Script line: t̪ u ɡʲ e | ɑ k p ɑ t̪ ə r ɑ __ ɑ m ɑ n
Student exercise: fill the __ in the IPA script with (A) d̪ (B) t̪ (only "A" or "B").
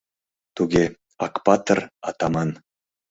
B